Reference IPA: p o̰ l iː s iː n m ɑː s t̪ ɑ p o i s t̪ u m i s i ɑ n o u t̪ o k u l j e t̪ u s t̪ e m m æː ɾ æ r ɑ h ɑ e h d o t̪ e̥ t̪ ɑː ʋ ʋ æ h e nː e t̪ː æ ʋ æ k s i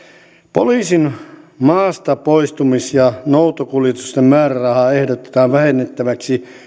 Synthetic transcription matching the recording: p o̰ l iː s i n m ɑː s t̪ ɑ p o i s t̪ u m i s j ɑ n o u t̪ o k u l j e t̪ u s t̪ e m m æː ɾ æ r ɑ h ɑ e h d o t̪ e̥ t̪ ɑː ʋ ʋ æ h e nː e t̪ː æ ʋ æ k s i